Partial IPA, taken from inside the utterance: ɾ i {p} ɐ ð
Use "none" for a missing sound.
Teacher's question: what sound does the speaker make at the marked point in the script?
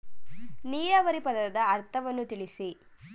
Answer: p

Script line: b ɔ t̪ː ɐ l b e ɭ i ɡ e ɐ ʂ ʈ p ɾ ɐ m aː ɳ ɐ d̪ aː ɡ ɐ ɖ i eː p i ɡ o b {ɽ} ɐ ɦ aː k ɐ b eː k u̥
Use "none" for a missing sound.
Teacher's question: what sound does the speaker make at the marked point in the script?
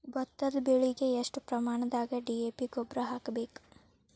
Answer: ɾ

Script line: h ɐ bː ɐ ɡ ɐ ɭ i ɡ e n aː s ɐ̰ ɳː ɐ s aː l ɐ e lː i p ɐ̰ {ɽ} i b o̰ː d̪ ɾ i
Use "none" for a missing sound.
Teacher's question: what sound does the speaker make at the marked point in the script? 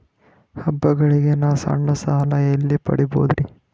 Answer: ɽ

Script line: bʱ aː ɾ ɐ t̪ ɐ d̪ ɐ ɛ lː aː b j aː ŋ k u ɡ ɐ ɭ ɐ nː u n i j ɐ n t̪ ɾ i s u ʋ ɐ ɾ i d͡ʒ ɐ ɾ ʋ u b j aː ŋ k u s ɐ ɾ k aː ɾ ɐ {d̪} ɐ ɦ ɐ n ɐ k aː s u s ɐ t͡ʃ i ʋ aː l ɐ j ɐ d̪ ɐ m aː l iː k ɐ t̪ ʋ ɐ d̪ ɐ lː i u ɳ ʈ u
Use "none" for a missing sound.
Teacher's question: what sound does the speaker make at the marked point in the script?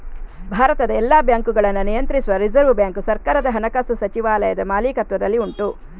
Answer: d̪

